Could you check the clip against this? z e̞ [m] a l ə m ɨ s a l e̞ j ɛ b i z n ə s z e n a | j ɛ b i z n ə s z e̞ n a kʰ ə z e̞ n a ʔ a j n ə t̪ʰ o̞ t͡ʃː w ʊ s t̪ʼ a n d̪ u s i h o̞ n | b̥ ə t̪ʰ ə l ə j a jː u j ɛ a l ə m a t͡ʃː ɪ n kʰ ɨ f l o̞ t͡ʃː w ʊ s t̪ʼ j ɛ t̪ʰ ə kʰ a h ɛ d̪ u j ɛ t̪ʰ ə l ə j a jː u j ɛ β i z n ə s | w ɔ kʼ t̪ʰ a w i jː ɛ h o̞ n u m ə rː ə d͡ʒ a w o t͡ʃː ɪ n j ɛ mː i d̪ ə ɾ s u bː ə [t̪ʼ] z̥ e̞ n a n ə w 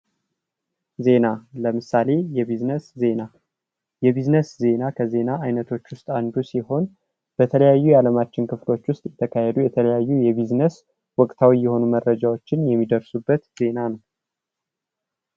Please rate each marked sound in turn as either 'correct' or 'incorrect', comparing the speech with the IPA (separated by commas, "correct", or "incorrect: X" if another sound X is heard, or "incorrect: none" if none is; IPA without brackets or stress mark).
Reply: incorrect: n, incorrect: t̪